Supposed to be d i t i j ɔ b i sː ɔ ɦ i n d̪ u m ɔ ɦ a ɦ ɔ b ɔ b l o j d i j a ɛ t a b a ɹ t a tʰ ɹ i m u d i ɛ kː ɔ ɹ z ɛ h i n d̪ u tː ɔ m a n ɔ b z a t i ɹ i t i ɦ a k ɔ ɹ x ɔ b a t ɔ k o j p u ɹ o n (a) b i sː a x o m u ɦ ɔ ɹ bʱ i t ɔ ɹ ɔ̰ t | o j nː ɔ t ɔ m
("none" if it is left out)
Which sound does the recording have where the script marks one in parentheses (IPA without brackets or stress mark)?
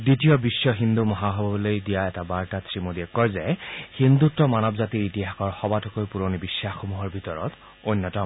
i